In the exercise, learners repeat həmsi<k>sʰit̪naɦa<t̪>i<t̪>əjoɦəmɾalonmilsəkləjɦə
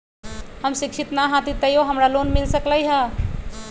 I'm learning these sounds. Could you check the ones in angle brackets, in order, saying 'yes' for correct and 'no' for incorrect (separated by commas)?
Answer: yes, yes, yes